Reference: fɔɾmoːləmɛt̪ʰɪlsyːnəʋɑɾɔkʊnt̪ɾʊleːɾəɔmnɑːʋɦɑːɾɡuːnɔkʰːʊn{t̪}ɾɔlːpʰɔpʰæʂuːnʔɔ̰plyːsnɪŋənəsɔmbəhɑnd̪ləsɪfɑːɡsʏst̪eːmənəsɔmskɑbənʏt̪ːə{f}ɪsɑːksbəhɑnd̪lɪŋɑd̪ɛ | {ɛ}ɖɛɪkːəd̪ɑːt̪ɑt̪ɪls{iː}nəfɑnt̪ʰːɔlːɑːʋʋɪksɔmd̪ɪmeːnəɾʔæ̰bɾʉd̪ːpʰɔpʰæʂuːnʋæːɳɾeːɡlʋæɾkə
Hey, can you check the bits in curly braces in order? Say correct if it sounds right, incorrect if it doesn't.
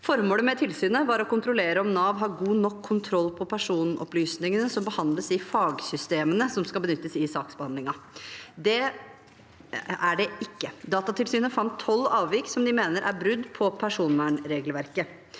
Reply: incorrect, incorrect, incorrect, incorrect

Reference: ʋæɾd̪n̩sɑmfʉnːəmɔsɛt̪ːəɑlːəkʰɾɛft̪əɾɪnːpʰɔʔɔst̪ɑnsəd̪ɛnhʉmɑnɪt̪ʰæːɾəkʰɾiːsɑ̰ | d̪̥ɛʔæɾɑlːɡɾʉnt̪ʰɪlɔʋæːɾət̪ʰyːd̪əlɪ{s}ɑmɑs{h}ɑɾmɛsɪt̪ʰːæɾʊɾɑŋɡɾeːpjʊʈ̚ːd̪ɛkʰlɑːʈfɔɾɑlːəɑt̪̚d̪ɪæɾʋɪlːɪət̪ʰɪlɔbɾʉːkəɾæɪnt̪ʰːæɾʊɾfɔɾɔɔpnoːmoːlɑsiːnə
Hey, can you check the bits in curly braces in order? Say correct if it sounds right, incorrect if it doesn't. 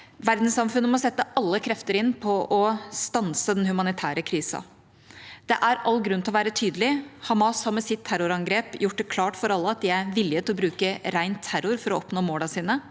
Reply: incorrect, correct

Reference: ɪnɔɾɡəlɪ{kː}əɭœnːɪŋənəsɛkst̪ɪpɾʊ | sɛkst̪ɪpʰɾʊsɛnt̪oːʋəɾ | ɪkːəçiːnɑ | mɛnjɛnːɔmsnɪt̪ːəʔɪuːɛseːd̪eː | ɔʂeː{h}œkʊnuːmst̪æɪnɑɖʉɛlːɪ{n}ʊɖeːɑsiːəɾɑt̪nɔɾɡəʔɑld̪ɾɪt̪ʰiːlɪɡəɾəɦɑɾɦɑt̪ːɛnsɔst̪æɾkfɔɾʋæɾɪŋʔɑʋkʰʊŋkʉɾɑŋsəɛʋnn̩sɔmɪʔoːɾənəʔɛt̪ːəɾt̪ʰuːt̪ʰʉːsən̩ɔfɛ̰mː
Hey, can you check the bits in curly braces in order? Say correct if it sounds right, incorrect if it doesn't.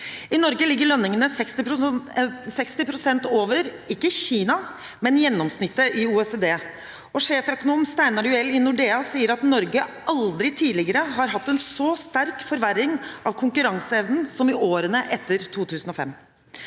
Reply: incorrect, incorrect, correct

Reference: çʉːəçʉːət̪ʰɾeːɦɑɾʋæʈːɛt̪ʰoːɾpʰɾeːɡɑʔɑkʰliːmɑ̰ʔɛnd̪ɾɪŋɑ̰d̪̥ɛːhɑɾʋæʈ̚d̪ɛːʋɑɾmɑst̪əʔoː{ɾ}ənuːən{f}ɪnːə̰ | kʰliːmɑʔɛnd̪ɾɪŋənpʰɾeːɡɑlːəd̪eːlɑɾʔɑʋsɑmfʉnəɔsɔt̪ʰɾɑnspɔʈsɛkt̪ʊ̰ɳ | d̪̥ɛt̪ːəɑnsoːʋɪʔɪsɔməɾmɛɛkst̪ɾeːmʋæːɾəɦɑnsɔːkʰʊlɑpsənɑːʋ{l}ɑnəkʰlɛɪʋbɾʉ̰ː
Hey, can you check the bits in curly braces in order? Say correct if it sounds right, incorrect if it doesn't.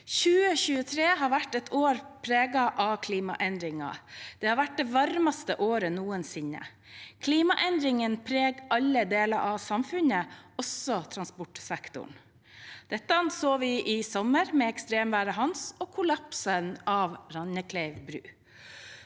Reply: correct, incorrect, incorrect

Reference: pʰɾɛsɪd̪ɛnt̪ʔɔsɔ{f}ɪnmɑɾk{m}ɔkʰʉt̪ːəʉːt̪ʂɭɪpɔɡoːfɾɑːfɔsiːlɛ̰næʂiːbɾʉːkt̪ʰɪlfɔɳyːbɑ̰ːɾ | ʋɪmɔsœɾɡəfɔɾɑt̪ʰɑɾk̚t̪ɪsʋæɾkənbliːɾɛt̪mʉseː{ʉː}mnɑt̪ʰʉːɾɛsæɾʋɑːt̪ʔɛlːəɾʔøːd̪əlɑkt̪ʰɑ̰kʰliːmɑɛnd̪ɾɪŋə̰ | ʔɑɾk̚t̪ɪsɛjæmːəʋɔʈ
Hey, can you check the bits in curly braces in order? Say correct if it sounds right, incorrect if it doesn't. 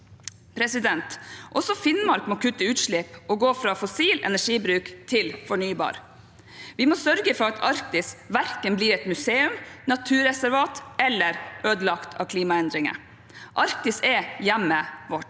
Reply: correct, correct, incorrect

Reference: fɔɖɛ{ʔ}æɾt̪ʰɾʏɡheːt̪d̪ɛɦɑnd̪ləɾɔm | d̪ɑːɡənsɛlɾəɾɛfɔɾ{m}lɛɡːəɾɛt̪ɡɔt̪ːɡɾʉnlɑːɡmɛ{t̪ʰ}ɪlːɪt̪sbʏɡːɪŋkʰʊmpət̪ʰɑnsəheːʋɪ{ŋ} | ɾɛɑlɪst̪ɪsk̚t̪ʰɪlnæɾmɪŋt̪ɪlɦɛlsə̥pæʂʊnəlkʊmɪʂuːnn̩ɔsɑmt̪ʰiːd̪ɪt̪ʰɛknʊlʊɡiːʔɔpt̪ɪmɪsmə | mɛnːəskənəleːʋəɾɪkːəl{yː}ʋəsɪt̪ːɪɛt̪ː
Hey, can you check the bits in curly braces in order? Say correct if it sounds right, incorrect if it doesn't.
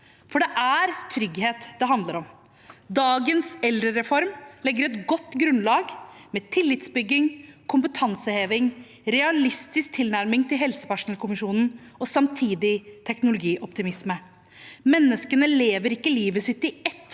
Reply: correct, correct, correct, correct, incorrect

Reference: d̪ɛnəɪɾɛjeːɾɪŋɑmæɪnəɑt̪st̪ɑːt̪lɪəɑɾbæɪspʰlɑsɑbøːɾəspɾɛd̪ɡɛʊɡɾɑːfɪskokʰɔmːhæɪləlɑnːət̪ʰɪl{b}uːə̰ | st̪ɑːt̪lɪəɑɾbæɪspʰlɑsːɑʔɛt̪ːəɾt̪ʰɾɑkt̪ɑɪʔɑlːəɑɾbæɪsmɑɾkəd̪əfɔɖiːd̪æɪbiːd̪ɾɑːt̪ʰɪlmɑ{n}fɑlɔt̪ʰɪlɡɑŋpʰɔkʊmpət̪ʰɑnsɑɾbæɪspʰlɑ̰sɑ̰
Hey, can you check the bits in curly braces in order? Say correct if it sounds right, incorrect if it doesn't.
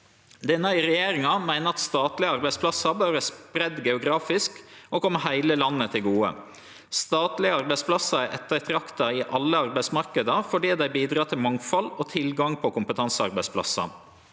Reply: incorrect, incorrect

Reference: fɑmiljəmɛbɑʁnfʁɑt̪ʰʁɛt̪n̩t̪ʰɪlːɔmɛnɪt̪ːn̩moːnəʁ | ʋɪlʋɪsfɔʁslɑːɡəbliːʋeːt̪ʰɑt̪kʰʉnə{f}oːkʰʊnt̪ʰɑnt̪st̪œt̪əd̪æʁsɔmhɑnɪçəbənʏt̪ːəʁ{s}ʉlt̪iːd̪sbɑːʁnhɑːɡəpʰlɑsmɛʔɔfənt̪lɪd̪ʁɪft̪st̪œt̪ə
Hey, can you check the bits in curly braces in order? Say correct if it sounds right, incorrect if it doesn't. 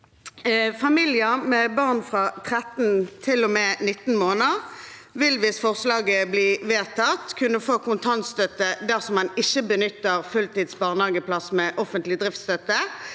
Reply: correct, incorrect

